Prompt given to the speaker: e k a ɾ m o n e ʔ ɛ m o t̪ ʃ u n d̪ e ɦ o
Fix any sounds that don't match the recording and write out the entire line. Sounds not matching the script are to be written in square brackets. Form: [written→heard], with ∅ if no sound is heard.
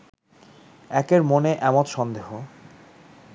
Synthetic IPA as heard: [e→ɛ] k [a→e] ɾ m o n e ʔ ɛ m o t̪ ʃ [u→ɔ] n d̪ e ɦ o